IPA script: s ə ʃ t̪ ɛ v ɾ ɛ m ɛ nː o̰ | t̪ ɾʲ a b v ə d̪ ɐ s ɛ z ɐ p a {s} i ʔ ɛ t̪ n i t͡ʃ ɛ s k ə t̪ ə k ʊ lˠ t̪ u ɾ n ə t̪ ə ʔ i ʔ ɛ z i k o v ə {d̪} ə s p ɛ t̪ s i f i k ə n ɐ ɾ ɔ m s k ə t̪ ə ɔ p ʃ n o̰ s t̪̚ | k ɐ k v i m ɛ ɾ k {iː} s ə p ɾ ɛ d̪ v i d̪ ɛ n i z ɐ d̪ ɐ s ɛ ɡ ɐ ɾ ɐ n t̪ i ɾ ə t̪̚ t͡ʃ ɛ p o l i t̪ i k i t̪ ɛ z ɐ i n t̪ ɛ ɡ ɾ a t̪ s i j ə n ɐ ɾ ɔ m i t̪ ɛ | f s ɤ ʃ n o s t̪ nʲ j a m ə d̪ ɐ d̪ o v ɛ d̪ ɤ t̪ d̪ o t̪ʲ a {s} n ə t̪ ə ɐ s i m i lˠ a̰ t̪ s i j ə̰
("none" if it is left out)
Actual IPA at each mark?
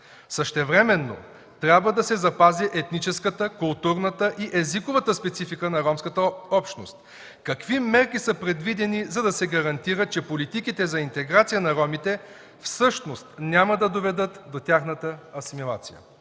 z, t̪, i, x

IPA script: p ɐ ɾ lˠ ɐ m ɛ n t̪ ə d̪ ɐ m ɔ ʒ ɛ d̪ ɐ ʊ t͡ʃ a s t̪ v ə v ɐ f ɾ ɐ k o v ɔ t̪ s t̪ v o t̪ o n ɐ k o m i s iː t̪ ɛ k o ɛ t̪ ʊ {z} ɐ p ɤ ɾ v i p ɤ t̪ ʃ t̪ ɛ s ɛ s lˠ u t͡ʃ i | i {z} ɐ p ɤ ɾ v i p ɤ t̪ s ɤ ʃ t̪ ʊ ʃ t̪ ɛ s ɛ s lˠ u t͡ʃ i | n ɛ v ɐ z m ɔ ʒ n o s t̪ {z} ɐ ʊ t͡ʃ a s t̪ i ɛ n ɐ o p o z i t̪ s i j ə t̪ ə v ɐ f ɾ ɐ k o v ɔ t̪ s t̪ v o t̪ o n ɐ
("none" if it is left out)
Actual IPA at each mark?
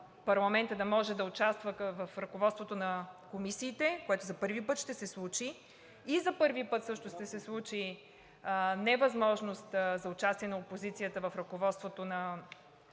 z, z, z

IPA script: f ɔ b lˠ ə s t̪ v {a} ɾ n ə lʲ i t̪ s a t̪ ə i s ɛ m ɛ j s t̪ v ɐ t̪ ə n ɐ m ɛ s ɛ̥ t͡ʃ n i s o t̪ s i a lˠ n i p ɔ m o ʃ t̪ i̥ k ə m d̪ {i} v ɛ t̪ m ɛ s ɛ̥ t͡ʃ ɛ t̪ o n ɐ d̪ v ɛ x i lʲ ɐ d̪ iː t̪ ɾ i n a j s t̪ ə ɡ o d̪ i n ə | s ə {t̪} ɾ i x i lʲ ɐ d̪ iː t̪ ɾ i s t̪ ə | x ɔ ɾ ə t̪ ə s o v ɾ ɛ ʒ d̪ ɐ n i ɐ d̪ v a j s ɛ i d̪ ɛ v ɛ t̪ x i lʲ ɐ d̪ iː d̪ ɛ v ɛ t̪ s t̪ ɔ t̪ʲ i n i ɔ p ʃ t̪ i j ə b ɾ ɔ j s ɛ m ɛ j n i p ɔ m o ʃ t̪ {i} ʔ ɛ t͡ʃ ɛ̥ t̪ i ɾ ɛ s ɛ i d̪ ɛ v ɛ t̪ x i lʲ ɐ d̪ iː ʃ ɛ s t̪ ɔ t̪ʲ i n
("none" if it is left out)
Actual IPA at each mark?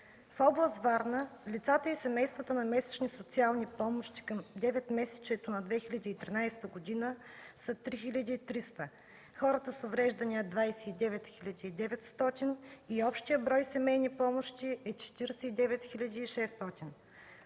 a, ɛ, t̪, i

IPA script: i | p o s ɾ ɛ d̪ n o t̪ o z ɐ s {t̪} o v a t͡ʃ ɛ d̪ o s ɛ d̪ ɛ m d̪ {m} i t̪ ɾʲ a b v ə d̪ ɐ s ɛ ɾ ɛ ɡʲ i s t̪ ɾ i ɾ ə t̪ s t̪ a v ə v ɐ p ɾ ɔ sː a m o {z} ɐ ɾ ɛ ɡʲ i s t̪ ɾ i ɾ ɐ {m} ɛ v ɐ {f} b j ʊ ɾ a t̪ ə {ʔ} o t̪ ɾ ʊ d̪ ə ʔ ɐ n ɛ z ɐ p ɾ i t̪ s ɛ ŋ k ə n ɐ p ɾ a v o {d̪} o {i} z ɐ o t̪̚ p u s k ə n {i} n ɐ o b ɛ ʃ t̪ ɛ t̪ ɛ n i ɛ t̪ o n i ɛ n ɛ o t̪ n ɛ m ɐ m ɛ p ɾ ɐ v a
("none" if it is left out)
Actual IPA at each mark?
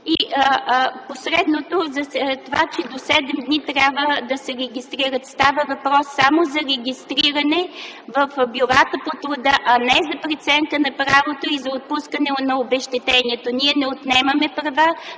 t̪, n, z, n, f, p, t̪, i, ɛ

